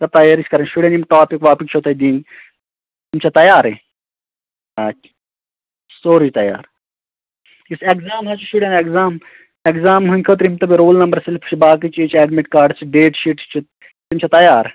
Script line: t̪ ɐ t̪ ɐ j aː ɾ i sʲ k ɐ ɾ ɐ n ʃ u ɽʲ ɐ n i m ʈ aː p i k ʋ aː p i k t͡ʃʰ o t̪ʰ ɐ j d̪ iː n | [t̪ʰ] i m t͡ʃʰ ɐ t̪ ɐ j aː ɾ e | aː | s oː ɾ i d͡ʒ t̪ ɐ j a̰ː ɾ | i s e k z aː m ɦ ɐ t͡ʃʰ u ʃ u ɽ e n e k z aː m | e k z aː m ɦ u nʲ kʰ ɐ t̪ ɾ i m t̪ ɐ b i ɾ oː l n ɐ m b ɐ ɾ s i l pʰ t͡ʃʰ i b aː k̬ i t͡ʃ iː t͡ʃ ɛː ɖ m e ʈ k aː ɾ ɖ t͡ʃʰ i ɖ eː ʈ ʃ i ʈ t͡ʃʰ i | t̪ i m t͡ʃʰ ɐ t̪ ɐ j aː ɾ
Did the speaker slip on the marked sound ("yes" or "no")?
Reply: yes